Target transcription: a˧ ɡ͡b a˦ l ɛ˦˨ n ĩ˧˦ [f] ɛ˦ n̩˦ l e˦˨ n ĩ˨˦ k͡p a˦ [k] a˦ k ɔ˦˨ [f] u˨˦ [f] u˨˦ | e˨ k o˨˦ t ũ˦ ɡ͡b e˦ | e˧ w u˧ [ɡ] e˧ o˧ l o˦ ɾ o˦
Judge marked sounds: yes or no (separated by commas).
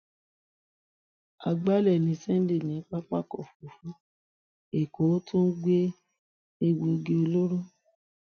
no, no, yes, yes, yes